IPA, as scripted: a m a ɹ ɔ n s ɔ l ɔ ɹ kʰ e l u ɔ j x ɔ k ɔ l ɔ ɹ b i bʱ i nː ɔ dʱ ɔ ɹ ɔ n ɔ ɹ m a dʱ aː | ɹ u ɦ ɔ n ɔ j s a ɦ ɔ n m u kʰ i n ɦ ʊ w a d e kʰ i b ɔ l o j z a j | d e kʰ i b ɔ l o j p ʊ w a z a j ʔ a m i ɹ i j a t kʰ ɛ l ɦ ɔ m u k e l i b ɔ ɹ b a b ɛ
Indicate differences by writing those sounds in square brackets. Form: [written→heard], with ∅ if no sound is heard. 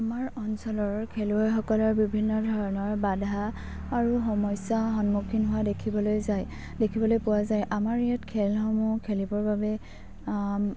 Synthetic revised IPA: a m a ɹ ɔ n s ɔ l ɔ ɹ kʰ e l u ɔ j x ɔ k ɔ l ɔ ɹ b i bʱ i nː ɔ dʱ ɔ ɹ ɔ n ɔ ɹ [m→b] a dʱ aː | ɹ u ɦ ɔ [n→m] ɔ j s a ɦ ɔ n m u kʰ i n ɦ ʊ w a d e kʰ i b ɔ l o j z a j | d e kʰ i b ɔ l o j p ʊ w a z a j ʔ a m [i→a] ɹ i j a t kʰ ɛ l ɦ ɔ m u [k→kʰ] e l i b ɔ ɹ b a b ɛ